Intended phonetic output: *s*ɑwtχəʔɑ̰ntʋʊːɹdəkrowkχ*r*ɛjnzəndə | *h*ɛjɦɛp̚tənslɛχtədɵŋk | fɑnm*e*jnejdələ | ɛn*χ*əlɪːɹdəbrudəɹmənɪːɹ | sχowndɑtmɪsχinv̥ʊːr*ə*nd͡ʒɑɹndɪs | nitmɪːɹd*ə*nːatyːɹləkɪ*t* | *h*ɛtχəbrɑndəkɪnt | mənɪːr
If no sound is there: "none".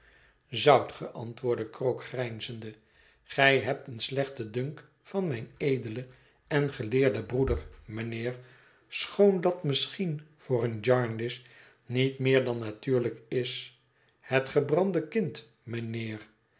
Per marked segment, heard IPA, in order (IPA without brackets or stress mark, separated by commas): z, r, χ, ɛ, χ, ə, ɑ, s, h